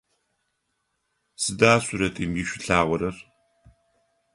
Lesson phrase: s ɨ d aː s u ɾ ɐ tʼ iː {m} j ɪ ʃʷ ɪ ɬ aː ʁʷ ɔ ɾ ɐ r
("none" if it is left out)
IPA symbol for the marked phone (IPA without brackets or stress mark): m